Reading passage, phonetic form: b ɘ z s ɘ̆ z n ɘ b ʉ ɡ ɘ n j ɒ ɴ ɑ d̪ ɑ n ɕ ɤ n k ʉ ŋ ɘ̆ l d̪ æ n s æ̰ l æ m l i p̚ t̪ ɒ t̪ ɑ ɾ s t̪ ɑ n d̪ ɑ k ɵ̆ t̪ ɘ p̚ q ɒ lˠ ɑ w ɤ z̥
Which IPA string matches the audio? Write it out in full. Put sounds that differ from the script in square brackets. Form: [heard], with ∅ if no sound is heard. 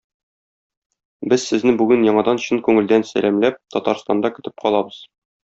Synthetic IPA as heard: b ɘ z s ɘ̆ z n ɘ b ʉ ɡ ɘ n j ɒ ɴ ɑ d̪ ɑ n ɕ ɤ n k ʉ ŋ ɘ̆ l d̪ æ n s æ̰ l æ m l [æ] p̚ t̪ ɒ t̪ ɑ ɾ s t̪ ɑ n d̪ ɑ k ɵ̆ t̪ ɘ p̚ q ɒ lˠ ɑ [b] ɤ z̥